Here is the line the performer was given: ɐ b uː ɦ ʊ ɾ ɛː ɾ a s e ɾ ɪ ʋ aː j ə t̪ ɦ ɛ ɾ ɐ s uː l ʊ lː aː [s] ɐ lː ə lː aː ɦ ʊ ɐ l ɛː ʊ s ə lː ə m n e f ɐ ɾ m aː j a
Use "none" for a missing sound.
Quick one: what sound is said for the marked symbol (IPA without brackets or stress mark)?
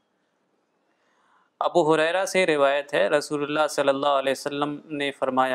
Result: s